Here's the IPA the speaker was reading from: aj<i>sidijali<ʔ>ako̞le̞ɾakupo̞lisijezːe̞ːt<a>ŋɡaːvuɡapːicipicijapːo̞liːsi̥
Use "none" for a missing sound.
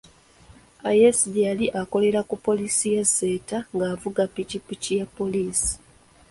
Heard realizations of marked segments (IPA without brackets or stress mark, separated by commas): e, ʔ, a